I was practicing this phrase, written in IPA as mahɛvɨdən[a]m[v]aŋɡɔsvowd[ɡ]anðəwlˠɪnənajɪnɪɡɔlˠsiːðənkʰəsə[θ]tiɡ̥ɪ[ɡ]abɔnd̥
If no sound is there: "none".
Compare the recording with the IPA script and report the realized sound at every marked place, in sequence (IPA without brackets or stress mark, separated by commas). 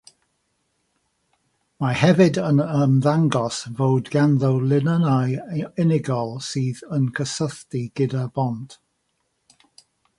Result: ə, ð, ɡ, θ, d